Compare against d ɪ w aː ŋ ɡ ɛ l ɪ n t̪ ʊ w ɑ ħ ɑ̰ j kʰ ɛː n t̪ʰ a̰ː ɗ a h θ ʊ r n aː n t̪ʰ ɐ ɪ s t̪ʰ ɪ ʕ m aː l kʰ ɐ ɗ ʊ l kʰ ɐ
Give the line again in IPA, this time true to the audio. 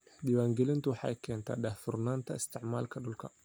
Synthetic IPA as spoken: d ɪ w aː ŋ ɡ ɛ l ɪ n t̪ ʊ w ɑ ħ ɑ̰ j kʰ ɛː n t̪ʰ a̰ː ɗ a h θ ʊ r n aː n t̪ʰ ɐ ɪ s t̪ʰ ɪ ʕ m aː l kʰ ɐ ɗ ʊ l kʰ ɐ